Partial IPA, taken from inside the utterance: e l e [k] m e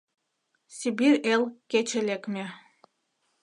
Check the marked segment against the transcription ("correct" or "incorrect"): correct